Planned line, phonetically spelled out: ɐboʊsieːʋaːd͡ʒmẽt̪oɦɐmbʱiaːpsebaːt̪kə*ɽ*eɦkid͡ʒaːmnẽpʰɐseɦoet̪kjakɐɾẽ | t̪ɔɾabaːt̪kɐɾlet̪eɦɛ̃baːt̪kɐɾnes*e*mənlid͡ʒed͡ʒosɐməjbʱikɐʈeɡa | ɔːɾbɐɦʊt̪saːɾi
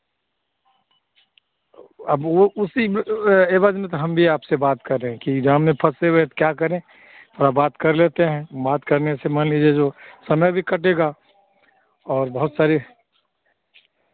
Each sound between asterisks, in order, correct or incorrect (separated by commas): incorrect, correct